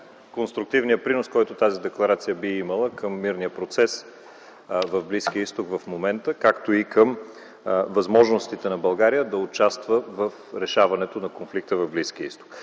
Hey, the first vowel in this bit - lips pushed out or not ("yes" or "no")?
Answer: yes